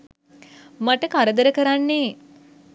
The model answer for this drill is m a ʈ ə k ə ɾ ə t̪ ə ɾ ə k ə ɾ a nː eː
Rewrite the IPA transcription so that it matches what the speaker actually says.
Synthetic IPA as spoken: m a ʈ ə k a ɾ ə d̪ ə ɾ ə k ə ɾ a nː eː